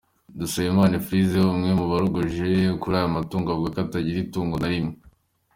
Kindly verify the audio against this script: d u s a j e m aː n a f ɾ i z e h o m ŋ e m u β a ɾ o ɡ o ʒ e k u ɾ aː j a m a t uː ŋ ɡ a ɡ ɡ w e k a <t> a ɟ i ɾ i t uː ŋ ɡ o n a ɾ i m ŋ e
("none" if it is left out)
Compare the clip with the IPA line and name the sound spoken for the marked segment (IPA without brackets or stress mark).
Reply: t